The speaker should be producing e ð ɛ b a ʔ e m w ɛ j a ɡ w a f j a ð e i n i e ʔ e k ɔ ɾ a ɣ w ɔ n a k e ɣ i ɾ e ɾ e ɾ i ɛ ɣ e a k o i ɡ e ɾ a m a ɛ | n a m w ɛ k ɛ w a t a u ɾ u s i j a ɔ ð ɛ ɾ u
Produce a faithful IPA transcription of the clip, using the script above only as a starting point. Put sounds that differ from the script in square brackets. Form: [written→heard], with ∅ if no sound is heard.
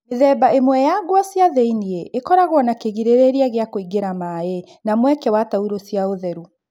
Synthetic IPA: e ð ɛ b a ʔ e m w ɛ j a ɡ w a [f→s] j a ð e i n i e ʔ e k ɔ ɾ a ɣ w ɔ n a k e ɣ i ɾ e ɾ e ɾ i [ɛ→a] ɣ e a k o i ɡ e ɾ a m a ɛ | n a m w ɛ k ɛ w a t a u ɾ [u→o] s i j a [ɔ→o] ð ɛ ɾ u

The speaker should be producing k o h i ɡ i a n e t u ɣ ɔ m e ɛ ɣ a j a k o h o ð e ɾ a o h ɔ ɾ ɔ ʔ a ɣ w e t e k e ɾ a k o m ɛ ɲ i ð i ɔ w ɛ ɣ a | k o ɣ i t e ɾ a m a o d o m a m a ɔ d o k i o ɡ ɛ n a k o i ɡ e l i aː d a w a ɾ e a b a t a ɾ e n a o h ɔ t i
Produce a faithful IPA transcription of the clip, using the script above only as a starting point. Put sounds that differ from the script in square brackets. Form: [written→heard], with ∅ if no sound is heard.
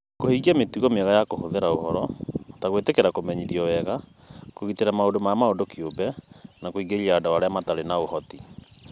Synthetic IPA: k o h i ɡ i a [n→m] e t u ɣ ɔ m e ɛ ɣ a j a k o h o ð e ɾ a o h ɔ ɾ ɔ [ʔ→t] a ɣ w e t e k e ɾ a k o m ɛ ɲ i ð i ɔ w ɛ ɣ a | k o ɣ i t e ɾ a m a o d o m a m a [ɔ→o] d o k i o [ɡ→b] ɛ n a k o i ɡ e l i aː d a w a ɾ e a [b→m] a t a ɾ e n a o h ɔ t i

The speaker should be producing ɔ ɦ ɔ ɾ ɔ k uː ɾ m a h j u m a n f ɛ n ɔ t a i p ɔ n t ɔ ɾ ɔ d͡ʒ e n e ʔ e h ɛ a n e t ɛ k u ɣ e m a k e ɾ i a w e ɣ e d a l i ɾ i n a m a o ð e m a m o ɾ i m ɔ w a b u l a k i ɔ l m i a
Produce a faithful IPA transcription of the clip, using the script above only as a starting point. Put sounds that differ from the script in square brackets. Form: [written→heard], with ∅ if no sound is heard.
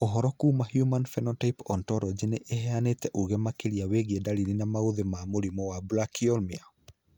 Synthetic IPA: ɔ ɦ ɔ ɾ ɔ k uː [ɾ→∅] m a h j u m a n f ɛ n ɔ t a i p ɔ n t ɔ ɾ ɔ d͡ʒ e n e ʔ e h ɛ a n e t ɛ [k→ʔ] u ɣ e m a k e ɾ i a w e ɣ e d a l i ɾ i n a m a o ð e m a m o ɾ i m ɔ w a b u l a k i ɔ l m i a

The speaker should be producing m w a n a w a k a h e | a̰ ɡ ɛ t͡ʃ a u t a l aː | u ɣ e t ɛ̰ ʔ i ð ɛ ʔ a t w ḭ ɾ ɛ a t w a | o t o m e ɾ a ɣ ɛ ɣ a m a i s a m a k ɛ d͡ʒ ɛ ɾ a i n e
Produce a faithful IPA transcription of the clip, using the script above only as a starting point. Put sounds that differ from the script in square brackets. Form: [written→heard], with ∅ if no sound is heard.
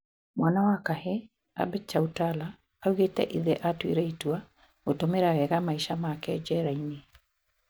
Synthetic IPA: m w a n a w a k a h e | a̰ [ɡ→b] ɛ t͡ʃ a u t a l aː | u ɣ e t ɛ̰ ʔ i ð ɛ ʔ a t w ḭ ɾ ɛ [a→i] t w a | o t o m e ɾ a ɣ ɛ ɣ a m a i [s→ʃ] a m a k ɛ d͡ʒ ɛ ɾ a i n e

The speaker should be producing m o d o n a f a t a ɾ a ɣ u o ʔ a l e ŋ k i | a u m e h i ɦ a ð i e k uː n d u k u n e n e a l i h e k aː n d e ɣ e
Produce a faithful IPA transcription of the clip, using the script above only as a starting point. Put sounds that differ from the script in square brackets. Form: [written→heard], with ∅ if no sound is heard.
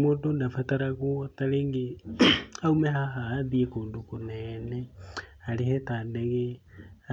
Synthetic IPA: m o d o n a f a t a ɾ a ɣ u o [ʔ→t] a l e ŋ [k→ɡ] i | a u m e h [i→a] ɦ a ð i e k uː n d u k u n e n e a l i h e [k→t] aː n d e ɣ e

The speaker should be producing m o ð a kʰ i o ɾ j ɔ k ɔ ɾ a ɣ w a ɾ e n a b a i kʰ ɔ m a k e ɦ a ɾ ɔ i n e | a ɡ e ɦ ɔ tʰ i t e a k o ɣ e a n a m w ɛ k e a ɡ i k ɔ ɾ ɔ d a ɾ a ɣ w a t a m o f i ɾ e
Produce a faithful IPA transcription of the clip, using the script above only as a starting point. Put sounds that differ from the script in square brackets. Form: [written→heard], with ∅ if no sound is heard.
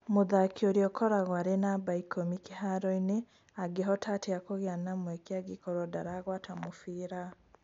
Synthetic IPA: m o ð a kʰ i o ɾ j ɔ k ɔ ɾ a ɣ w a ɾ e n a b a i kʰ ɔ m [a→i] k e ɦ a ɾ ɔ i n e | a ɡ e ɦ ɔ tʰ [i→a] t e a k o ɣ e a n a m w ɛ k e a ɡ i k ɔ ɾ ɔ d a ɾ a ɣ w a t a m o f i ɾ [e→a]

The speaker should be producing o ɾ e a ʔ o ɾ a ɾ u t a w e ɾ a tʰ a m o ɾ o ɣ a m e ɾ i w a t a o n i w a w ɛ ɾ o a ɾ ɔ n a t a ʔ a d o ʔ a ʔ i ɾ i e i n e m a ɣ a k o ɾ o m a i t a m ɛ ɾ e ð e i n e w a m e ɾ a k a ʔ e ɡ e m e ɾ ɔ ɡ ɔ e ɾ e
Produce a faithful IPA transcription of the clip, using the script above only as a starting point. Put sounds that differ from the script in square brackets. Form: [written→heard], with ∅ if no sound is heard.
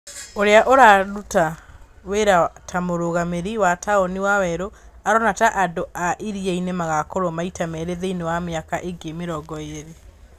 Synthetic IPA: o ɾ e a ʔ o ɾ a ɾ u t a w e ɾ a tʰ a m o ɾ o ɣ a m e ɾ i w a t a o n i w a w ɛ ɾ o a ɾ ɔ n a t a ʔ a d o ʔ a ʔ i ɾ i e i n e m a ɣ a k o ɾ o m a i t a m ɛ ɾ e ð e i n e w a m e [ɾ→∅] a k a ʔ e ɡ e m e ɾ ɔ ɡ ɔ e ɾ e

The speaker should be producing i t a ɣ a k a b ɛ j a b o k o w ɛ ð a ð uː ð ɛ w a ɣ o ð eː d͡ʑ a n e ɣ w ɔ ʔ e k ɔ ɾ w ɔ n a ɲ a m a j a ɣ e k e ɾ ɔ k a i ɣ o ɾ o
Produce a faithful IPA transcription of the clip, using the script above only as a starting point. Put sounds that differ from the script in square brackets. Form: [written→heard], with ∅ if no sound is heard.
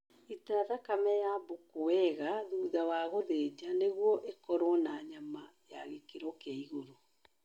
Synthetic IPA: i t a [ɣ→ð] a k a [b→m] ɛ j a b o k o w ɛ [ð→ɣ] a ð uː ð [ɛ→a] w a ɣ o ð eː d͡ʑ a n e ɣ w ɔ ʔ e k ɔ ɾ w ɔ n a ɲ a m a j a ɣ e k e ɾ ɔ k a i ɣ o ɾ o

